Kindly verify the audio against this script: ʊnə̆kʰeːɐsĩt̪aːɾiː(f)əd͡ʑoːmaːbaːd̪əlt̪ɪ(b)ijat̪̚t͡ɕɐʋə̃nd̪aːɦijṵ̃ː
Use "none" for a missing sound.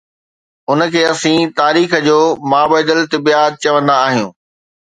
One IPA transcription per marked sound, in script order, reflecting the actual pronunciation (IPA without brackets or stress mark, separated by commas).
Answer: x, b